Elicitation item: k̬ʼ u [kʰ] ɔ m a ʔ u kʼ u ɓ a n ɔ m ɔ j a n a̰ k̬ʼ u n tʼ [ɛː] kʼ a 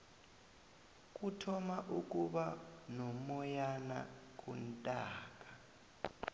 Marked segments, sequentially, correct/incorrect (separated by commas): incorrect, incorrect